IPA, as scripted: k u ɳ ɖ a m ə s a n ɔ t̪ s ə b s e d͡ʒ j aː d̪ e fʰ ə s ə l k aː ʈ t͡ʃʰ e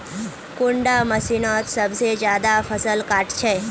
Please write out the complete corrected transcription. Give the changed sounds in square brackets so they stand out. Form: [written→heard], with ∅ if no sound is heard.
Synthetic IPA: k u ɳ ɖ a m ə s [a→i] n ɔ t̪ s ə b s e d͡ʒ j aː d̪ [e→a] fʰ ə s ə l k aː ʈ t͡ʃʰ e